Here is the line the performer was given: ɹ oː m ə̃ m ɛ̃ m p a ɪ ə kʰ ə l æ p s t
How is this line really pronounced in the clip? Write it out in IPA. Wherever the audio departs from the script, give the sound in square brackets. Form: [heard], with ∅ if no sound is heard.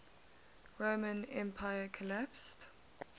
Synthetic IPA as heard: ɹ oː m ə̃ [n] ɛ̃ m [pʰ] a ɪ ə kʰ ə l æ p s t